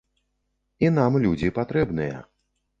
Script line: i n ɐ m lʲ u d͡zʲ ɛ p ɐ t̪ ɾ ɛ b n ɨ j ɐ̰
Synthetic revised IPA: i n a m lʲ u d͡zʲ i p a t̪ ɾ ɛ b n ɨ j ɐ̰